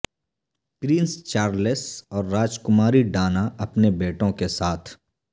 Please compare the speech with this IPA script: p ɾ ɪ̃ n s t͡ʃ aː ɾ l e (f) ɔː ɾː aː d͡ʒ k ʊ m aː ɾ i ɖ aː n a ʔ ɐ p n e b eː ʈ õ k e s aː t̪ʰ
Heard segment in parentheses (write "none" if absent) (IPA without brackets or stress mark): s